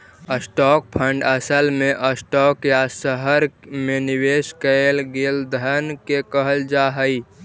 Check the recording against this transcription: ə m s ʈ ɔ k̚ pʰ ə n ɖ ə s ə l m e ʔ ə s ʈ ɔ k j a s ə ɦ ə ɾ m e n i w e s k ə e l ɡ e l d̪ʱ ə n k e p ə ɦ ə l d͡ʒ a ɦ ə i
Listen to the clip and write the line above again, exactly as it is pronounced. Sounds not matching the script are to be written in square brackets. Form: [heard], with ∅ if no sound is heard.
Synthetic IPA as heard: ə [∅] s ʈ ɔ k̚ pʰ ə [ɳ] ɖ ə s ə l m e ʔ ə s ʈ ɔ k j a s ə ɦ ə ɾ m e n i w e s k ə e l ɡ e l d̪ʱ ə n k e [k] ə ɦ ə l d͡ʒ a ɦ ə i